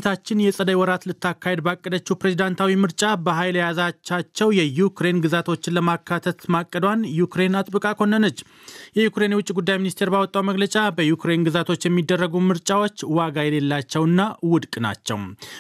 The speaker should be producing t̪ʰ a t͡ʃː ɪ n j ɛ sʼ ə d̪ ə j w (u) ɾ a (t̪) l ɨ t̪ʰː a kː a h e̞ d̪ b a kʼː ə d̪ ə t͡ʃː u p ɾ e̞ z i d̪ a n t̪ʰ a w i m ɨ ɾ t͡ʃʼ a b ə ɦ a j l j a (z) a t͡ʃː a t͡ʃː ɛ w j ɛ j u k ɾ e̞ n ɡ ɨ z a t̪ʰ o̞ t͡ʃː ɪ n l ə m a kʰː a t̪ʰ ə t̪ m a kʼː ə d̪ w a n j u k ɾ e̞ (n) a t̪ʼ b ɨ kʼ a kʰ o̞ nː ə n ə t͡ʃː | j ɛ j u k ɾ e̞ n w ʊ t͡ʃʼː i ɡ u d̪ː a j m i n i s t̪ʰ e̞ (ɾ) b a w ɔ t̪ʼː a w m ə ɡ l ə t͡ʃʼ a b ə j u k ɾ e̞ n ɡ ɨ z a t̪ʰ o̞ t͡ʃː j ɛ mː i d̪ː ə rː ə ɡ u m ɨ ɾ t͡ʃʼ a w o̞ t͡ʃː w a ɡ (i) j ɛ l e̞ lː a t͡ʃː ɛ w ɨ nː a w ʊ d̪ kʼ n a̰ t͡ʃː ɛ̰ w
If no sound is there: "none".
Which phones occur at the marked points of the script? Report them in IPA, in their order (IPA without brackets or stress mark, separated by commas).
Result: ɔ, t̪, z, n, ɾ, a